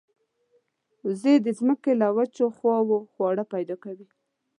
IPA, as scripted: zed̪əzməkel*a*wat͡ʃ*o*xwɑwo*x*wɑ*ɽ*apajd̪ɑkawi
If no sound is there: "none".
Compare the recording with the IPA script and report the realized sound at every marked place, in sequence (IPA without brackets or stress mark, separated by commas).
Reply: a, o, x, ɽ